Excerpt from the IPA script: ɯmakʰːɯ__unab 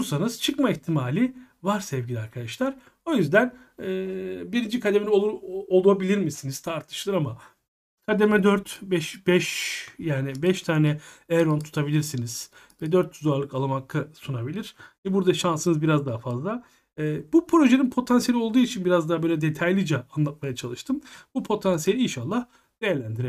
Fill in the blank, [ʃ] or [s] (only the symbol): s